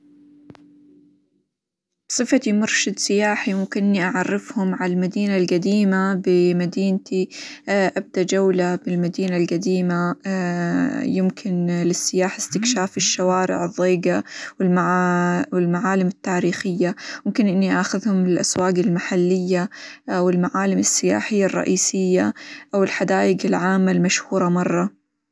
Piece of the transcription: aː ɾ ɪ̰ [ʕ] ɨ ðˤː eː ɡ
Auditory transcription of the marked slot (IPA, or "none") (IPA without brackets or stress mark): ʕ